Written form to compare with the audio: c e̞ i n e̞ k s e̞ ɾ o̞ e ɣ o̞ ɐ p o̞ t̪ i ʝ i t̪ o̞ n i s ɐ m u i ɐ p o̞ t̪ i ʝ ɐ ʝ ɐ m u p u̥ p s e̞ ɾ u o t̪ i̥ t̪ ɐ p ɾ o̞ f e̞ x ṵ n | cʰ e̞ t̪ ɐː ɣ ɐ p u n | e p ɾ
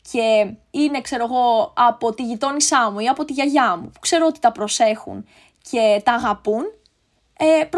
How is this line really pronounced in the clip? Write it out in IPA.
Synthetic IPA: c e̞ i n e̞ k s e̞ ɾ o̞ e ɣ o̞ ɐ p o̞ t̪ i ʝ i t̪ o̞ n i s ɐ m u i ɐ p o̞ t̪ i ʝ ɐ ʝ ɐ m u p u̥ k s e̞ ɾ o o t̪ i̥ t̪ ɐ p ɾ o̞ s e̞ x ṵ n | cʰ e̞ t̪ ɐː ɣ ɐ p u n | e p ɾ